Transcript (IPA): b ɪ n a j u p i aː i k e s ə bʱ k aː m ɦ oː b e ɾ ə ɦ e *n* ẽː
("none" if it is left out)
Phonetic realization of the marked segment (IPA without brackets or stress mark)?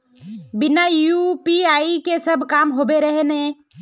n